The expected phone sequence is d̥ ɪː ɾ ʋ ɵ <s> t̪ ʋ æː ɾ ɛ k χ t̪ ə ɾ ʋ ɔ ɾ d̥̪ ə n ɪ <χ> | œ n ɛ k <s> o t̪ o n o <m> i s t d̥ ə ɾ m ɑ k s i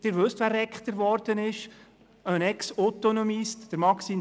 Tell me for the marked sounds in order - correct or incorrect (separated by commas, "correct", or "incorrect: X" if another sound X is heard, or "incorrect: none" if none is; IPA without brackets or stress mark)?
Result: correct, incorrect: ʃ, correct, correct